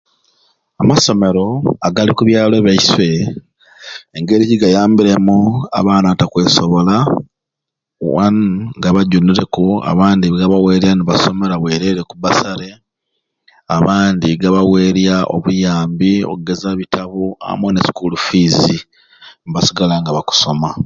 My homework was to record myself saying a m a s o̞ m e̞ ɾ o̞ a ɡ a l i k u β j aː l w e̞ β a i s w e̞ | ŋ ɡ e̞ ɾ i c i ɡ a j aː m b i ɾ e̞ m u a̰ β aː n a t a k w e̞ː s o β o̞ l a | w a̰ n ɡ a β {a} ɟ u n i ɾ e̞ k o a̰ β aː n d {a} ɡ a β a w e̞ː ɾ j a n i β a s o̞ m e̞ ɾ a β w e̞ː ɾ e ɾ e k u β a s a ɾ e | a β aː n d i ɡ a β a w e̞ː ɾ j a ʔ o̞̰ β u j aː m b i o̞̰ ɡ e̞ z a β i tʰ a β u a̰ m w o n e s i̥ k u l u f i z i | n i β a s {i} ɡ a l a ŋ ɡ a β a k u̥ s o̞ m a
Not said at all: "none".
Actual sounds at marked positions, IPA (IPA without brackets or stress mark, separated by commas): a, i, i